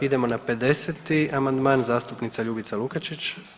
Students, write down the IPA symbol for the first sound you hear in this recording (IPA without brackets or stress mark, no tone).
i